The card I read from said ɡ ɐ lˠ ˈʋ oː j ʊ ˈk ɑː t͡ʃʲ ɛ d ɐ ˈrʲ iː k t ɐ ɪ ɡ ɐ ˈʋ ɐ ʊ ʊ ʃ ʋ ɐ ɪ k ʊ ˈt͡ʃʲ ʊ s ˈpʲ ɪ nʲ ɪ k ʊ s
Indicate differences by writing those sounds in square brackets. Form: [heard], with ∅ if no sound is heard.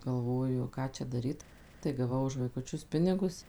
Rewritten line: ɡ ɐ lˠ ˈʋ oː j ʊ ˈk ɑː t͡ʃʲ ɛ d ɐ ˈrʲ iː [t] t ɐ ɪ ɡ ɐ ˈʋ ɐ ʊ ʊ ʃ ʋ ɐ ɪ k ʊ ˈt͡ʃʲ ʊ s ˈpʲ ɪ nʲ ɪ [ɡ] ʊ s